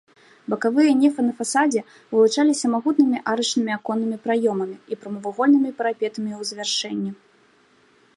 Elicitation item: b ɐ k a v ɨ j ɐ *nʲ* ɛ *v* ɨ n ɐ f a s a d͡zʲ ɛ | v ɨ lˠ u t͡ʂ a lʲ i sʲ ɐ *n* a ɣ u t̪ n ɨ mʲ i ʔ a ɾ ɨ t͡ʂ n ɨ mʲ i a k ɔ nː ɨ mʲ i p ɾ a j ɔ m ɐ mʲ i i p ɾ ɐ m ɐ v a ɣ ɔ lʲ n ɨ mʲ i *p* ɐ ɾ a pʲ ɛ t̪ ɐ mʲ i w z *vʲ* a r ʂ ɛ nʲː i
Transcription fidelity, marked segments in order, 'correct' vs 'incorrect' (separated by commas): correct, incorrect, incorrect, correct, correct